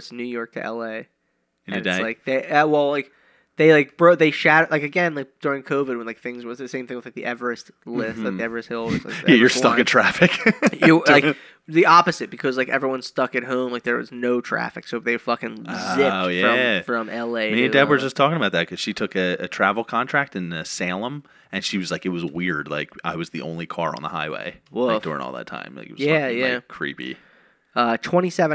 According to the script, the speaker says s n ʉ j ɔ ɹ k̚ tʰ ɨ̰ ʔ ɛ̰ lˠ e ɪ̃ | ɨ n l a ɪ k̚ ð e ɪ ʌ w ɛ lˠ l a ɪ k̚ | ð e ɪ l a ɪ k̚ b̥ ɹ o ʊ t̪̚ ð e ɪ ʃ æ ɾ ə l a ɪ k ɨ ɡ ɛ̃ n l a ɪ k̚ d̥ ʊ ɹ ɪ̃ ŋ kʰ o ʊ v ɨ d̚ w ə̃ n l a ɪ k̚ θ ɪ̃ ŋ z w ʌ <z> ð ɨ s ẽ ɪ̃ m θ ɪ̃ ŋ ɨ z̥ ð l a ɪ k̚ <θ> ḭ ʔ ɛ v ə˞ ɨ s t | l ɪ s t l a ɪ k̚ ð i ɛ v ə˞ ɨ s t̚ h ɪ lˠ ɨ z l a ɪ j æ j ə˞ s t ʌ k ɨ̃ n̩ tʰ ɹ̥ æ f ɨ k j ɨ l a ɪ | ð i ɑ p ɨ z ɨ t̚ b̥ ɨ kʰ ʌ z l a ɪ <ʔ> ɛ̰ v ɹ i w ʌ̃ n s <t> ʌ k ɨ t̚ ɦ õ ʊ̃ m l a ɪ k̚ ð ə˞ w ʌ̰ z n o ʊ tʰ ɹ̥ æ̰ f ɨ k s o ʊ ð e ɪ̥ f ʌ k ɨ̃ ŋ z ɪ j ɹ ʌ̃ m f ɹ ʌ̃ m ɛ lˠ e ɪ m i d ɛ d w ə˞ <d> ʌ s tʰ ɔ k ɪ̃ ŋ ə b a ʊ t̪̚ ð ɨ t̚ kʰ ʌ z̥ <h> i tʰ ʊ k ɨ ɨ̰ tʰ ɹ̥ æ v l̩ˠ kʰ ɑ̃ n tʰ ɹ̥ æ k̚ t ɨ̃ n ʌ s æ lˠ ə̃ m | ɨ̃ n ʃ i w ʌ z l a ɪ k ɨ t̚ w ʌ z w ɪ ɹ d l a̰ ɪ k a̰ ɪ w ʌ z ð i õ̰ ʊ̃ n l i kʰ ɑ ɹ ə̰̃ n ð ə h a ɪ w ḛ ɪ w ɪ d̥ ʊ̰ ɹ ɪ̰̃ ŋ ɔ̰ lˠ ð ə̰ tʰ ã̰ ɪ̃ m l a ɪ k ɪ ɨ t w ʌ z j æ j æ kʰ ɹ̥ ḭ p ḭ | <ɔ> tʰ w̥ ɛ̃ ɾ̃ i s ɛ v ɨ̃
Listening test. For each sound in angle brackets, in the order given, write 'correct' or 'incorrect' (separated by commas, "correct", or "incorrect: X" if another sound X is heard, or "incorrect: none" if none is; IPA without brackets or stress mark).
correct, incorrect: ð, incorrect: k, correct, incorrect: d͡ʒ, incorrect: ʃ, incorrect: ʌ